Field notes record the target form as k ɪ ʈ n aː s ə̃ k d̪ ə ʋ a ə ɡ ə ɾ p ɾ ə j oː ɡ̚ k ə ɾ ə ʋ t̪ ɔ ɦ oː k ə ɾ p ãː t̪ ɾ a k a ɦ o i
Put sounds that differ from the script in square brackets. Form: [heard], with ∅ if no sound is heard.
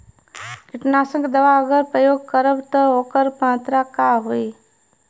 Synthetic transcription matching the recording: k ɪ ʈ n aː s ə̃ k d̪ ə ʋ a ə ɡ ə ɾ p ɾ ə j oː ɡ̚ k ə ɾ ə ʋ t̪ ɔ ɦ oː k ə ɾ p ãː t̪ ɾ a k a ɦ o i